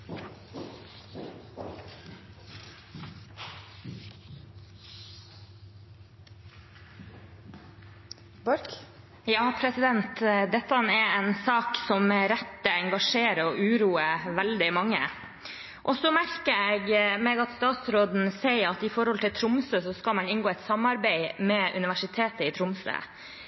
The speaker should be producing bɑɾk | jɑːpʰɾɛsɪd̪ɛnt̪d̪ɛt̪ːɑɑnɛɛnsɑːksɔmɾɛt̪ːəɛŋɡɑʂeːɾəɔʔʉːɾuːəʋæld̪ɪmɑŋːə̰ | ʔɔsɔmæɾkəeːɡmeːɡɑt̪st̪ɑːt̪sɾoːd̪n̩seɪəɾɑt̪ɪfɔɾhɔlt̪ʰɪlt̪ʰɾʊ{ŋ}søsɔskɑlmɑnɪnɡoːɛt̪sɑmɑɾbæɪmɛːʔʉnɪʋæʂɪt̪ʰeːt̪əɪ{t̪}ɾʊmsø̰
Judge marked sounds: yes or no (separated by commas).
no, no